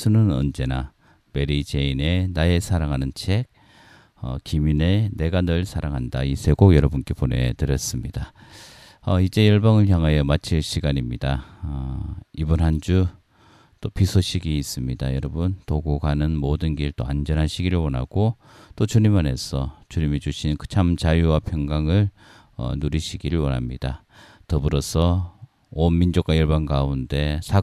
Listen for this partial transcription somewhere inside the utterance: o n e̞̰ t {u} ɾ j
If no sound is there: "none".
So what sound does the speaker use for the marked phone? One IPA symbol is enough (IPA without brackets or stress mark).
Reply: ɯ